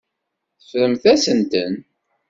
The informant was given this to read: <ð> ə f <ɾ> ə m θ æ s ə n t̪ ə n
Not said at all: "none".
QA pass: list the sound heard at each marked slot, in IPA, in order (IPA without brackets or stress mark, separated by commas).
θ, ɾ